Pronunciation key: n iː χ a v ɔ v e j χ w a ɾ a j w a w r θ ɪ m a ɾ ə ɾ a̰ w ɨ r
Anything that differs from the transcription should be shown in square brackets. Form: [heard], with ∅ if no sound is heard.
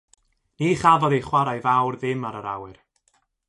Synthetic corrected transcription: n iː χ a v ɔ [ð] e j χ w a ɾ a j [v] a w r [ð] ɪ m a ɾ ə ɾ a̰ w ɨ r

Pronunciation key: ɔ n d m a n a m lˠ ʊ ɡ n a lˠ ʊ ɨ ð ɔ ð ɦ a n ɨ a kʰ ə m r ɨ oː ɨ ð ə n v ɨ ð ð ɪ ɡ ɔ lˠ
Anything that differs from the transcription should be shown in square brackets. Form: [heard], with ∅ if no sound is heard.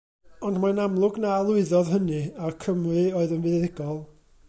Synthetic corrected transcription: ɔ n d m a n a m lˠ ʊ ɡ n a lˠ ʊ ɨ ð ɔ ð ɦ [ə] n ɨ a kʰ ə m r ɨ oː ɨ ð ə n v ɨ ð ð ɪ ɡ ɔ lˠ

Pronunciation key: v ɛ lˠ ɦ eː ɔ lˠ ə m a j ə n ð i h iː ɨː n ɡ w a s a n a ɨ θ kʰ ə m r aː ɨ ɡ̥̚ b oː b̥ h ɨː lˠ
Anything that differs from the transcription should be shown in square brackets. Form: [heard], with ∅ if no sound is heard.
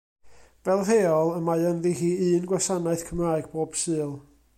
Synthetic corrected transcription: v ɛ lˠ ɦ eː ɔ lˠ ə m a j ə n ð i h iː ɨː n ɡ w a s a n a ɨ θ kʰ ə m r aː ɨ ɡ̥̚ b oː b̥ [s] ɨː lˠ

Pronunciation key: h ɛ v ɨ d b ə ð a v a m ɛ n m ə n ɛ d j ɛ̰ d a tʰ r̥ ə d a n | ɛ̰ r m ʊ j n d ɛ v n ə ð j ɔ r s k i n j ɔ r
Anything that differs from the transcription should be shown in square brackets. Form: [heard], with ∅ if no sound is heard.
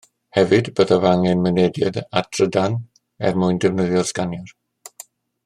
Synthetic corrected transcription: h ɛ v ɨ d b ə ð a v a [ŋ] ɛ n m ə n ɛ d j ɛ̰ d a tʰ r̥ ə d a n | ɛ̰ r m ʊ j n d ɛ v n ə ð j ɔ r s k [a] n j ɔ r

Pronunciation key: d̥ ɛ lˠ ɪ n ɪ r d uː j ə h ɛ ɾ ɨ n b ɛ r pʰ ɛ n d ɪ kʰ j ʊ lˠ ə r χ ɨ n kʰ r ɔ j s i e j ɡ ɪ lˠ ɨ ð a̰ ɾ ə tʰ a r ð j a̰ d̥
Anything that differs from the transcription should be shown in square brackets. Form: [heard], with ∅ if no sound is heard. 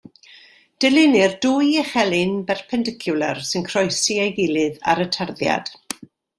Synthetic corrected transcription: d̥ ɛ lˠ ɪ n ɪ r d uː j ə [χ] ɛ [l] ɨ n b ɛ r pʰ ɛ n d ɪ kʰ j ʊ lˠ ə r [s] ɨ n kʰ r ɔ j s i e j ɡ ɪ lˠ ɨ ð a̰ ɾ ə tʰ a r ð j a̰ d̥

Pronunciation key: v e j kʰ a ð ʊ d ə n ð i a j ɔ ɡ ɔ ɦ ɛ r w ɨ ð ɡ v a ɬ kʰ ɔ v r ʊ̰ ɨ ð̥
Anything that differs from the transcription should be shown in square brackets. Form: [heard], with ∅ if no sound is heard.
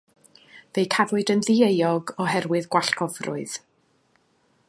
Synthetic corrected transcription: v e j kʰ a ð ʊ d ə n ð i [e] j ɔ ɡ ɔ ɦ ɛ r w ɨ ð ɡ [w] a ɬ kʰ ɔ v r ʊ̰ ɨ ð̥

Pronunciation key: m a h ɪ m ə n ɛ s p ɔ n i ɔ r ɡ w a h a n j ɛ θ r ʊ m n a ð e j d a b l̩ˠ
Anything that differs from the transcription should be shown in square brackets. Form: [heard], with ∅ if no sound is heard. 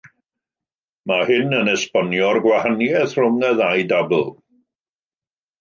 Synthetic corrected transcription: m a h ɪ [n] ə n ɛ s p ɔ n [j] ɔ r ɡ w a h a n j ɛ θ r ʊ m n [ɛ] ð [a] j d a b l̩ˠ

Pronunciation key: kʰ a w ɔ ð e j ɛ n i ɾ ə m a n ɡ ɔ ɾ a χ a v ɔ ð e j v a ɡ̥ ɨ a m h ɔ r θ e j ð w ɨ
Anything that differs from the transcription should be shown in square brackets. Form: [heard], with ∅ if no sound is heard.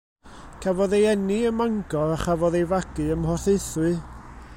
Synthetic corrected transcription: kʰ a [v] ɔ ð e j ɛ n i [∅] ə m a [ŋ] ɡ ɔ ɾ a χ a v ɔ ð e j v a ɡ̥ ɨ [ə] m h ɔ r θ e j [θ] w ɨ

